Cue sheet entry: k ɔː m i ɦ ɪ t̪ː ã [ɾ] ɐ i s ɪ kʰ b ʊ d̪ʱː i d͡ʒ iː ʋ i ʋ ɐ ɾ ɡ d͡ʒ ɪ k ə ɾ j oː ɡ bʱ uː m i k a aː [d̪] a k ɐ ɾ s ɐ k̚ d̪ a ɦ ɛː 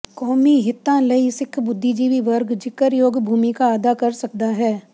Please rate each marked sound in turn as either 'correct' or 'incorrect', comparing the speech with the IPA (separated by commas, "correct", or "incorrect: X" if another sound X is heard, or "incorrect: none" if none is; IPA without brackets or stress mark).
incorrect: l, correct